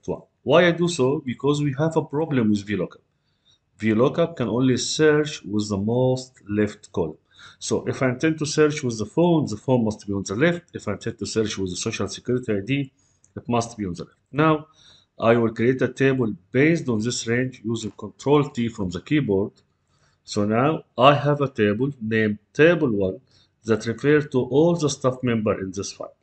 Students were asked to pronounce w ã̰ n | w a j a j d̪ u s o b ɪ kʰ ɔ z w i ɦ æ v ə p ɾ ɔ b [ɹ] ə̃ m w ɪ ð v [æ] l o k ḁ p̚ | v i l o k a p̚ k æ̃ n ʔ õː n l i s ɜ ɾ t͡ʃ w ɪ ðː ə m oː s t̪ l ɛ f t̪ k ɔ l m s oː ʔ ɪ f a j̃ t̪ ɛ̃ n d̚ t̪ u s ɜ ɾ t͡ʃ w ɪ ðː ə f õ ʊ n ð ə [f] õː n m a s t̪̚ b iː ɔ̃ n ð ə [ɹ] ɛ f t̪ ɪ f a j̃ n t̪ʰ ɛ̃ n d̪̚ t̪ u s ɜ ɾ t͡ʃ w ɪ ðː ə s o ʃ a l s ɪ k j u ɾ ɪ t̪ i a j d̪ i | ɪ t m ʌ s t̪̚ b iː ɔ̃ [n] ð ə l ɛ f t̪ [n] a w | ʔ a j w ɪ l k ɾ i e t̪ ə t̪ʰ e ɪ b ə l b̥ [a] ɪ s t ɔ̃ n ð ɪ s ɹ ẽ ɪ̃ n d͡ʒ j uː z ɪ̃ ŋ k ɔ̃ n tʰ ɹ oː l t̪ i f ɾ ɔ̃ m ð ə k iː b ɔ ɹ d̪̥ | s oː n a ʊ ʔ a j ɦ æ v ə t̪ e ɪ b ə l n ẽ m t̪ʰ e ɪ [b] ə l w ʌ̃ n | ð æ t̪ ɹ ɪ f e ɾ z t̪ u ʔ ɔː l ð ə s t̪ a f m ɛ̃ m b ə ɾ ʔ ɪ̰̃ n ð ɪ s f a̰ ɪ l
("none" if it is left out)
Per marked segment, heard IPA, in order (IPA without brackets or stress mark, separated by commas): l, i, f, l, n, n, e, b